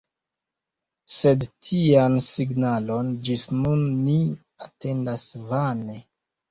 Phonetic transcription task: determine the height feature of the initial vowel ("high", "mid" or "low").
mid